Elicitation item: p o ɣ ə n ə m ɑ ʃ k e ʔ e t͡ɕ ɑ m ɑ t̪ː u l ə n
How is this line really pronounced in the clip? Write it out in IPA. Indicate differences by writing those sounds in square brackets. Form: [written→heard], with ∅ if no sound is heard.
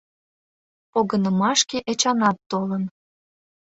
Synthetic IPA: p o ɣ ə n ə m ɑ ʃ k e ʔ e t͡ɕ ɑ [m→n] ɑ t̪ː [u→o] l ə n